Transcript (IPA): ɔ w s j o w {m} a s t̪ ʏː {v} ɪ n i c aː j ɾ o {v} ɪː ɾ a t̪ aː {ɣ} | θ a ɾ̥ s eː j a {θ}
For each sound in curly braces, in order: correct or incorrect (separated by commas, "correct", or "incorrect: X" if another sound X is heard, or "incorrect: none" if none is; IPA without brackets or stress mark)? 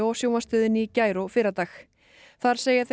correct, incorrect: ð, incorrect: f, incorrect: x, correct